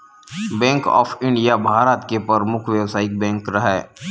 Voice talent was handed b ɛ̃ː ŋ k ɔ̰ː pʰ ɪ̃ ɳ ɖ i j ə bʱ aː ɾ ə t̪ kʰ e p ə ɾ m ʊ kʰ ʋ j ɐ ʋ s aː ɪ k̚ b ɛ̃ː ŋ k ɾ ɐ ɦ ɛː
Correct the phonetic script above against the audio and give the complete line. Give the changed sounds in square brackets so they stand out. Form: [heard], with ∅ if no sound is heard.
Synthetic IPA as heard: b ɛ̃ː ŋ k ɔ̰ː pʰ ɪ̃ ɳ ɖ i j [a] bʱ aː ɾ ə t̪ [k] e p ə ɾ m ʊ kʰ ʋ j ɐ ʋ s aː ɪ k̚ b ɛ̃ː ŋ k ɾ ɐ ɦ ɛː